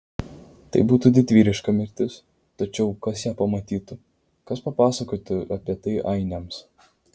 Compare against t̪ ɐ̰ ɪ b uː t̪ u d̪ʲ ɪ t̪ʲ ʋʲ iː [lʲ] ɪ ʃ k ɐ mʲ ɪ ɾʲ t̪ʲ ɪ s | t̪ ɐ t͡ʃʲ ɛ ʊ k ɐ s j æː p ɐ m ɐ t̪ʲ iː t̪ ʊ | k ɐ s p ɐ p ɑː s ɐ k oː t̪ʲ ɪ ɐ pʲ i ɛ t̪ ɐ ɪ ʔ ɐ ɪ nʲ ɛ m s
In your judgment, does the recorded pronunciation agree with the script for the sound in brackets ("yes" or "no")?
no